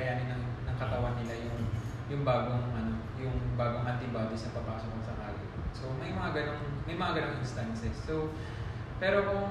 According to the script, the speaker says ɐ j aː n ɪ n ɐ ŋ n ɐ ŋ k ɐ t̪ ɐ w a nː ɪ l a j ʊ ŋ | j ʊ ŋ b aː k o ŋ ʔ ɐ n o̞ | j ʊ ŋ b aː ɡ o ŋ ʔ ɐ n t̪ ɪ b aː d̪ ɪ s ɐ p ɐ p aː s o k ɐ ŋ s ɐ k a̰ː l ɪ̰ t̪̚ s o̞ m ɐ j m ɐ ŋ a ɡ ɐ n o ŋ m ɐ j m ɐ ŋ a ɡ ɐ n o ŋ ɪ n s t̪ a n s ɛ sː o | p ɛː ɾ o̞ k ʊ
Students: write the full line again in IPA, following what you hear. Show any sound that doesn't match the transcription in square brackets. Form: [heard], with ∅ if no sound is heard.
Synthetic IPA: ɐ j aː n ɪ n ɐ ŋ n ɐ ŋ k ɐ t̪ ɐ w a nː ɪ l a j ʊ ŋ | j ʊ ŋ b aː [ɡ] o ŋ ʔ ɐ n o̞ | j ʊ ŋ b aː ɡ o ŋ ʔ ɐ n t̪ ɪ b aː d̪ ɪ s ɐ p ɐ p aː s o k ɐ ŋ s ɐ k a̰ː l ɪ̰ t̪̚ s o̞ m ɐ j m ɐ ŋ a ɡ ɐ n o ŋ m ɐ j m ɐ ŋ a ɡ ɐ n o ŋ ɪ n s t̪ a n s ɛ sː o | p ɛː ɾ o̞ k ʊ